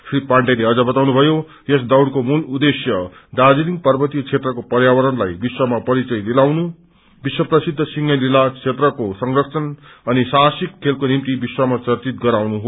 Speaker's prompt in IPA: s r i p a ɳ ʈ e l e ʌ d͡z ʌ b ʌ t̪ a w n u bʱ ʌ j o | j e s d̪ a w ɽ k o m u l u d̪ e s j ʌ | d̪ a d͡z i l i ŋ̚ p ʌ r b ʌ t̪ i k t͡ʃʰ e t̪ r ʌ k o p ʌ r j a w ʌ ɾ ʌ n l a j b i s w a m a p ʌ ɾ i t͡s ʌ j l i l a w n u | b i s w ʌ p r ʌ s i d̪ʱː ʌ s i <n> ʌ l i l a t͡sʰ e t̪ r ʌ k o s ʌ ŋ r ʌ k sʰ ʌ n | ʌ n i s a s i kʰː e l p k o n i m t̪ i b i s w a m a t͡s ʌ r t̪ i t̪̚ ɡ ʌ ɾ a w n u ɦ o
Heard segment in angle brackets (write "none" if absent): ŋ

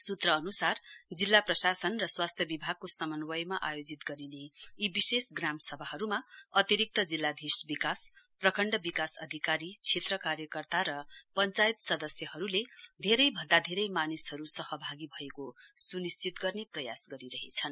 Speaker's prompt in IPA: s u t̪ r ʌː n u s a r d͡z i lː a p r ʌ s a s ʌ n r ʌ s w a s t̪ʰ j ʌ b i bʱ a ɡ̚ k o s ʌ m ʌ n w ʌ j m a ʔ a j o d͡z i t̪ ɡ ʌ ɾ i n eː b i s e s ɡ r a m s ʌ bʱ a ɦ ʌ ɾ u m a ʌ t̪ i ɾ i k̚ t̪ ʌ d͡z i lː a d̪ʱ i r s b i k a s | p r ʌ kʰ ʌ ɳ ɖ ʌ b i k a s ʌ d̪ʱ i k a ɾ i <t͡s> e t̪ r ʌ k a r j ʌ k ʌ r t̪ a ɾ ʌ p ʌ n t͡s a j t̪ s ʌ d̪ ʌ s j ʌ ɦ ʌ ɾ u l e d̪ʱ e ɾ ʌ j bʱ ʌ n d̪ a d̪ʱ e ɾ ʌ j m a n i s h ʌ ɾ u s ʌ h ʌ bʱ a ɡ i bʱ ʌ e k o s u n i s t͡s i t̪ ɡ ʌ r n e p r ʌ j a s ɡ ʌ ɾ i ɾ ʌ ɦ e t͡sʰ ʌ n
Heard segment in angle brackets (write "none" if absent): t͡sʰ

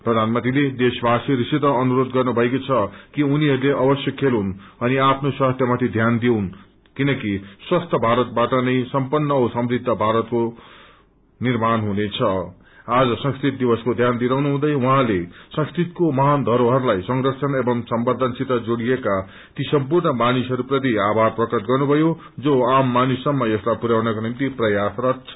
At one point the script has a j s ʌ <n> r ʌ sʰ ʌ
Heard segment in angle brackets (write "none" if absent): ŋ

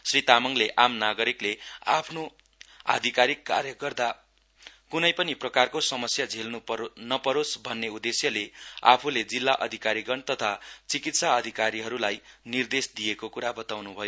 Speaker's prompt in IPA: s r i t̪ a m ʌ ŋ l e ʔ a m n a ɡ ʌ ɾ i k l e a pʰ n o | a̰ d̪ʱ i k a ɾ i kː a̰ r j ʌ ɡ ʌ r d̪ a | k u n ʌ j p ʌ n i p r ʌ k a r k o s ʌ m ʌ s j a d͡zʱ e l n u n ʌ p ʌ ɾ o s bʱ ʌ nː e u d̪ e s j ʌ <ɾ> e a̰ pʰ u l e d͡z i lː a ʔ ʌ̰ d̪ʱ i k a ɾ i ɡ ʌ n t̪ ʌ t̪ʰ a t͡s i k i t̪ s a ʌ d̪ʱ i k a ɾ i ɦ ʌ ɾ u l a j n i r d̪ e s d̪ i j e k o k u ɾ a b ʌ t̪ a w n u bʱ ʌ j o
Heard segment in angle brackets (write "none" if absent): l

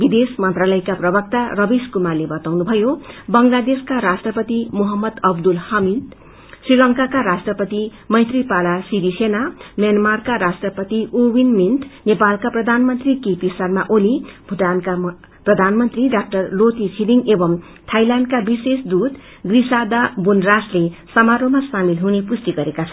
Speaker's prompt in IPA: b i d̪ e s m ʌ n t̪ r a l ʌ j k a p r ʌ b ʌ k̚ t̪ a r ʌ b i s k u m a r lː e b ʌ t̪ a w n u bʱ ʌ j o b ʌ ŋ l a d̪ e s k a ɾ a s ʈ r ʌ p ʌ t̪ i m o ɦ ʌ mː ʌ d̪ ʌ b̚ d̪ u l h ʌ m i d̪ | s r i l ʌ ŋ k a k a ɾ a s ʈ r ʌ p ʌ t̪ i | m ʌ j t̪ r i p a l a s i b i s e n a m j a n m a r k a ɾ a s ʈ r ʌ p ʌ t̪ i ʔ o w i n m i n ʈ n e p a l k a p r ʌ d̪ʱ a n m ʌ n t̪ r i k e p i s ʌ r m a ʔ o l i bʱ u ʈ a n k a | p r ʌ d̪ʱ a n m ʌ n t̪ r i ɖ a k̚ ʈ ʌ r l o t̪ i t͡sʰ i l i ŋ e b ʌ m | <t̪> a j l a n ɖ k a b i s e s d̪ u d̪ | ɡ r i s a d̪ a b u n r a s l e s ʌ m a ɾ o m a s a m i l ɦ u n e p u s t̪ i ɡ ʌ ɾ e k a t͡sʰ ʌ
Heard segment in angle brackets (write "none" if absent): t̪ʰ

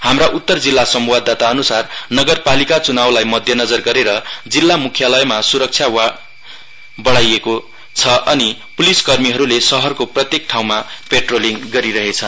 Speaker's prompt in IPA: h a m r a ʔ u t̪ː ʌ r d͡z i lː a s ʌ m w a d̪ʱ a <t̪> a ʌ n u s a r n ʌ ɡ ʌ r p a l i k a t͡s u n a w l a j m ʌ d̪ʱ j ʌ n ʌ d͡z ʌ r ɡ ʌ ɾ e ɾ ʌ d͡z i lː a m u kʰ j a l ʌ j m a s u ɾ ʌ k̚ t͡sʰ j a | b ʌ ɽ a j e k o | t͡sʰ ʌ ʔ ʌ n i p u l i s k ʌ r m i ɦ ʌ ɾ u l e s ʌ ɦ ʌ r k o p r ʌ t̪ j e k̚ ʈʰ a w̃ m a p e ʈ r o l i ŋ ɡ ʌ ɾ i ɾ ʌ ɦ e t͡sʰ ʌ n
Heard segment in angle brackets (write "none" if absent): t̪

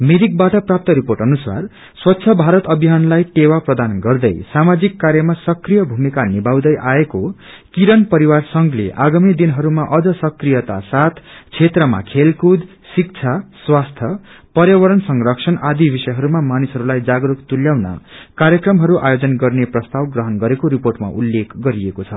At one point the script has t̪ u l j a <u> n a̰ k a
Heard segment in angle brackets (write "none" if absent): w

